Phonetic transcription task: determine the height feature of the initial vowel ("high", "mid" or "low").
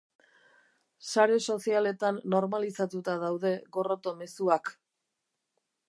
low